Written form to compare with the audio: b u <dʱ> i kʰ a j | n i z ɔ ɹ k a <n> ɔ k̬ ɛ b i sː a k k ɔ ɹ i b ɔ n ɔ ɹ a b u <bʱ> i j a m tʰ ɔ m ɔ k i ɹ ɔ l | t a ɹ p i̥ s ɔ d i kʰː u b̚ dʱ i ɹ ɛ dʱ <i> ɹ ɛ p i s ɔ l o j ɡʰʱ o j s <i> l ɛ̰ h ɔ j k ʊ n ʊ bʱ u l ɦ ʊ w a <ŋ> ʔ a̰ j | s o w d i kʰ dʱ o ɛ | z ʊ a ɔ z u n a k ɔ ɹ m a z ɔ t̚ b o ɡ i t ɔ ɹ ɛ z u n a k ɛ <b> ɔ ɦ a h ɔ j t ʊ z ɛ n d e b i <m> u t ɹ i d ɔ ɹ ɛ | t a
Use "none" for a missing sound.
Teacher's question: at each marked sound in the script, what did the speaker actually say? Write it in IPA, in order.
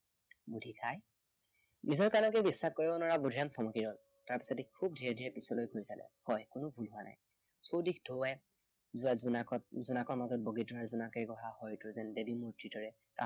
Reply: dʱ, n, dʱ, i, a, n, ɡ, m

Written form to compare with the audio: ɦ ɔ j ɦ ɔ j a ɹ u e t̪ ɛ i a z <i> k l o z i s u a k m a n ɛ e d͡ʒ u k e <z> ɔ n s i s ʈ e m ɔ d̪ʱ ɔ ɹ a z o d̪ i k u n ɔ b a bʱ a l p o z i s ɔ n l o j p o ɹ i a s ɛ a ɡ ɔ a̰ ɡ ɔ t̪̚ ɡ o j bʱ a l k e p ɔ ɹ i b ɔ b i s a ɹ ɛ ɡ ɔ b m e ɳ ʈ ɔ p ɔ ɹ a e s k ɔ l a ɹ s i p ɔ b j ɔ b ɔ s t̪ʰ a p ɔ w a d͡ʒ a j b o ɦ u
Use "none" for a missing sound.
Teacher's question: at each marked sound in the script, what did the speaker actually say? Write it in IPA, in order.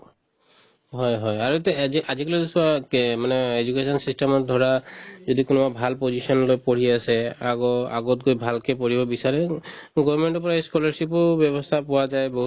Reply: i, s

